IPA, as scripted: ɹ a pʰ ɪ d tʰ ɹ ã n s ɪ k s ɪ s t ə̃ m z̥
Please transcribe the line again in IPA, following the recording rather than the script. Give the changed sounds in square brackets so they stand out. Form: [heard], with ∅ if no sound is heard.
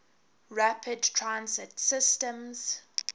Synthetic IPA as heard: ɹ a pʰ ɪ d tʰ ɹ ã n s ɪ [t] s ɪ s t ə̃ m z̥